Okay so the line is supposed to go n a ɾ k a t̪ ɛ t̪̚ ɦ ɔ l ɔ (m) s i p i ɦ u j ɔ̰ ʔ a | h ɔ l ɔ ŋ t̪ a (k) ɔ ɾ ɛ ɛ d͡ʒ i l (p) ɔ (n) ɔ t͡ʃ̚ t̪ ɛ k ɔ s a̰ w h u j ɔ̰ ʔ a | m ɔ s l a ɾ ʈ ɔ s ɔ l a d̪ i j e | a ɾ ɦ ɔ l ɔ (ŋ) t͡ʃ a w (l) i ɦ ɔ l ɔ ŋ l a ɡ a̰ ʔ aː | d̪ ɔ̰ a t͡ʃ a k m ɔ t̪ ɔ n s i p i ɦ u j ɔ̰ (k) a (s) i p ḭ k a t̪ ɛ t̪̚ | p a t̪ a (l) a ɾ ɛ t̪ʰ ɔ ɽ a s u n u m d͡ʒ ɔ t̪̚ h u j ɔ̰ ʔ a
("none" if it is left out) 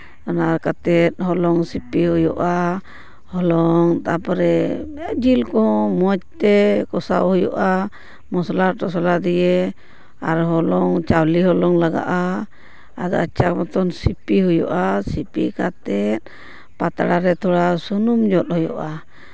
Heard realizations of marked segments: ŋ, p, k, m, ŋ, l, ʔ, s, ɽ

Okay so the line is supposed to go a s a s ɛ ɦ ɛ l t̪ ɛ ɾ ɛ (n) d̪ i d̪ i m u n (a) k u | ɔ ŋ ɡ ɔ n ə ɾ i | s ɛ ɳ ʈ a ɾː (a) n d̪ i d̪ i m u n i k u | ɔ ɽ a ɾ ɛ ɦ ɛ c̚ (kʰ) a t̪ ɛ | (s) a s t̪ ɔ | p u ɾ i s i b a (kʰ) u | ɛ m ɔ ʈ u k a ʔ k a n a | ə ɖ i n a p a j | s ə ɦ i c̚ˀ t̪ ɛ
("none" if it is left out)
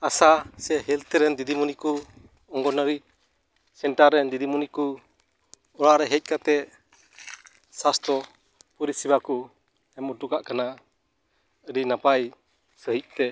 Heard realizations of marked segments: n, i, ɛ, k, s, k

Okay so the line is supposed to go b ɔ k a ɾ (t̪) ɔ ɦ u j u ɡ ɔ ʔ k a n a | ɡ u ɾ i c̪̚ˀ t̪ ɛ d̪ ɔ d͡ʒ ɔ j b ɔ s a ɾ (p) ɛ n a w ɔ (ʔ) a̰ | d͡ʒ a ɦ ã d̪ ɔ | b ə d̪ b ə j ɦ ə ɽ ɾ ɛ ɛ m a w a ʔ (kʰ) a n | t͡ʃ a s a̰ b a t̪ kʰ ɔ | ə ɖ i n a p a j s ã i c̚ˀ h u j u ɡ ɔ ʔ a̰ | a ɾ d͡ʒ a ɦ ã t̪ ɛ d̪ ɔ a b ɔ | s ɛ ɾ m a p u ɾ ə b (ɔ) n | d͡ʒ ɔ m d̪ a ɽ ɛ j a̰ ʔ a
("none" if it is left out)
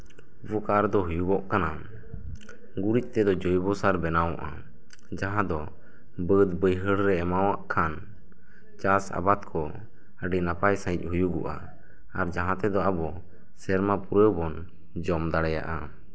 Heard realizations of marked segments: d̪, b, ʔ, kʰ, ɔ

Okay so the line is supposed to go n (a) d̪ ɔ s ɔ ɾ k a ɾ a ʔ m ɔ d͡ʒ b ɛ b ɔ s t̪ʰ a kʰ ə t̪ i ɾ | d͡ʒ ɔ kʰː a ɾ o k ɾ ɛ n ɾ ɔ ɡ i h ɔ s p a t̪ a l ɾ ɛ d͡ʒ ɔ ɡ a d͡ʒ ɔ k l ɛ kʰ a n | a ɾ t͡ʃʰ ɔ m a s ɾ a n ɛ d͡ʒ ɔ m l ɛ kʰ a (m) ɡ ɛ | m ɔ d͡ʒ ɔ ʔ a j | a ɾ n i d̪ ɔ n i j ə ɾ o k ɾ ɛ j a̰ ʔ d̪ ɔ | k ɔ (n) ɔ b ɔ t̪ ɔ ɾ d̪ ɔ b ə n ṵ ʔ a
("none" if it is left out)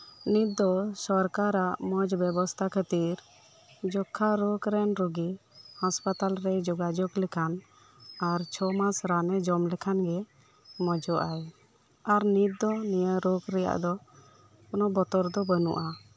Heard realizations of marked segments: i, n, n

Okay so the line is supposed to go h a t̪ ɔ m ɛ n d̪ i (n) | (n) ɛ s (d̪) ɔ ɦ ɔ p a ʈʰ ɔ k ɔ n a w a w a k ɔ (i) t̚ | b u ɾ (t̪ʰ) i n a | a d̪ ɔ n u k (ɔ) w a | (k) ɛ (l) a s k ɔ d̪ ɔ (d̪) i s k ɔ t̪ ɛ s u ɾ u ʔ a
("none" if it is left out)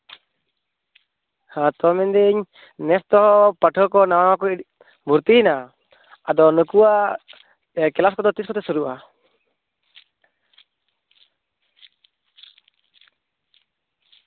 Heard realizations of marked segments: ɲ, n, t̪, i, t̪, u, k, l, t̪

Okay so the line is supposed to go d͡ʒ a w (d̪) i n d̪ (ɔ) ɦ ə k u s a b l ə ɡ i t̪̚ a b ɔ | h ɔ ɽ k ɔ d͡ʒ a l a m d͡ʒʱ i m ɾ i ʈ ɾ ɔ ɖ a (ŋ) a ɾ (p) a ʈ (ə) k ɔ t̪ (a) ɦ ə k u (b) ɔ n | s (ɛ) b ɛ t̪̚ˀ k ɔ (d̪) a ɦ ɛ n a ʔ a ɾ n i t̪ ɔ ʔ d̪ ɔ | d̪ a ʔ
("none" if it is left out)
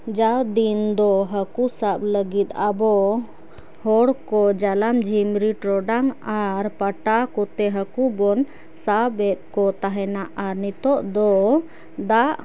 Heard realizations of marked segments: d̪, ɔ, ŋ, p, a, ɛ, b, a, t̪

